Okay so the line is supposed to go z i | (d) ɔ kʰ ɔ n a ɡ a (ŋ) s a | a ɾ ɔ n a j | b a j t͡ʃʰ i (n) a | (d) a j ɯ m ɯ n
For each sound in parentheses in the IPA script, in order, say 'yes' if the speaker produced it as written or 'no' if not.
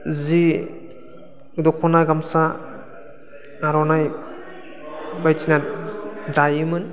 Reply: yes, no, yes, yes

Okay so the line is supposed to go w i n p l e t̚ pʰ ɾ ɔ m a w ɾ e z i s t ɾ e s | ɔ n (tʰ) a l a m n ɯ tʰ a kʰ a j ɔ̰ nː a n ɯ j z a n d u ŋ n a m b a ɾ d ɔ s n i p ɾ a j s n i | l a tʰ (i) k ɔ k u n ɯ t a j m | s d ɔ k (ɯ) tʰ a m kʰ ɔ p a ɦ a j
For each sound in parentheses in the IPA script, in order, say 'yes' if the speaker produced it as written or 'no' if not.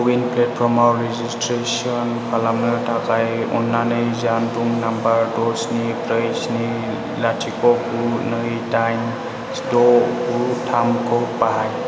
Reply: no, yes, no

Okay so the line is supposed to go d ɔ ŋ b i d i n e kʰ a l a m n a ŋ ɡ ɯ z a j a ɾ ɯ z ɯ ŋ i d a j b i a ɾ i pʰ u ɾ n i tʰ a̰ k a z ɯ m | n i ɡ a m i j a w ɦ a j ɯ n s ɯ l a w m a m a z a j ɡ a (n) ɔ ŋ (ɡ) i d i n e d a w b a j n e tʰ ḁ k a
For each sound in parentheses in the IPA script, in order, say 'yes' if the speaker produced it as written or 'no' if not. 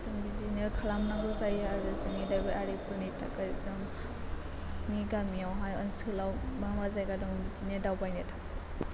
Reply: no, no

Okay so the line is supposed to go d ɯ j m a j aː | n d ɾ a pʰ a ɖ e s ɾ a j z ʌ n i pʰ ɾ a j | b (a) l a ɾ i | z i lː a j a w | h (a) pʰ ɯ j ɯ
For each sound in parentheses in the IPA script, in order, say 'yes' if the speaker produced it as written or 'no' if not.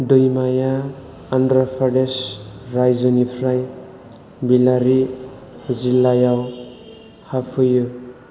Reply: no, yes

